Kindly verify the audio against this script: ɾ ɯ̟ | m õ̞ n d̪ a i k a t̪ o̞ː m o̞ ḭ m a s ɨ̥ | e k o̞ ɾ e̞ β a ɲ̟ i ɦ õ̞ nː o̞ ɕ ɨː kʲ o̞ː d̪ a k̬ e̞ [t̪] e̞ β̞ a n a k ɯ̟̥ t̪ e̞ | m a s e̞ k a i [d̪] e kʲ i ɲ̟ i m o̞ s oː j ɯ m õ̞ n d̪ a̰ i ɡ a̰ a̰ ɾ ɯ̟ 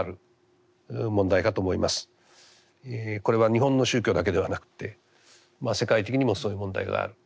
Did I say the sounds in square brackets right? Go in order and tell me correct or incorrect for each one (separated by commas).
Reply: incorrect, incorrect